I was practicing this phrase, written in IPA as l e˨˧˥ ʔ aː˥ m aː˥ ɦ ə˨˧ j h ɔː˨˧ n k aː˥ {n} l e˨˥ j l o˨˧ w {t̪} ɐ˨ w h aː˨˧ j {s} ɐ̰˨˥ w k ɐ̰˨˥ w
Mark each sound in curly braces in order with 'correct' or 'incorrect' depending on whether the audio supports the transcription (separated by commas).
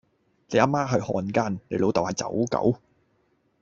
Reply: correct, correct, incorrect